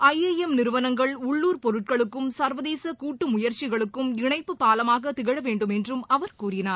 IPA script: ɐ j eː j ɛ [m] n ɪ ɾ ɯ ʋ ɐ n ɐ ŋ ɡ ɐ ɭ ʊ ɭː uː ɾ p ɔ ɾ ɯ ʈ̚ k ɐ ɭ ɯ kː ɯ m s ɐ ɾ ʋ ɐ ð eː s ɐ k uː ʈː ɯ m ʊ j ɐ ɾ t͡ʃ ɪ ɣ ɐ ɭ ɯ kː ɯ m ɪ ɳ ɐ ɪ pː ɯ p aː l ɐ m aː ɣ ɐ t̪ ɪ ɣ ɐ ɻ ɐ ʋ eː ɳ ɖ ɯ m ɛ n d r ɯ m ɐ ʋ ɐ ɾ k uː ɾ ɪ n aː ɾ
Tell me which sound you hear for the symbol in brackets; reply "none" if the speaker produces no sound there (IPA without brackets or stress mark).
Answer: m